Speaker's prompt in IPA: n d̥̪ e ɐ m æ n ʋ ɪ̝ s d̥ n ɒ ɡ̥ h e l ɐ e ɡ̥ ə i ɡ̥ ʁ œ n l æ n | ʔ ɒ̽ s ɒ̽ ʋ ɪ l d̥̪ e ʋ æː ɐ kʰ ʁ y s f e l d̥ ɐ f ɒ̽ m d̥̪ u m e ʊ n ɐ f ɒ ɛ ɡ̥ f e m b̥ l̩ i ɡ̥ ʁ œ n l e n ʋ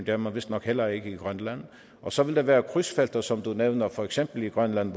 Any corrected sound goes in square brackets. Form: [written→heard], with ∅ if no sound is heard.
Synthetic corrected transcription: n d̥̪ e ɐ m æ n ʋ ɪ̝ s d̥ n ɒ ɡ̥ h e l ɐ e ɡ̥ ə i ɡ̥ ʁ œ n l æ n | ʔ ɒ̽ s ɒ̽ ʋ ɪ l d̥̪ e ʋ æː ɐ kʰ ʁ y s f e l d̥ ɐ [f→s] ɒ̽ m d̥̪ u [m→n] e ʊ n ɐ f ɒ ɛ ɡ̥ [f→s] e m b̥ l̩ i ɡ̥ ʁ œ n l [e→æ] n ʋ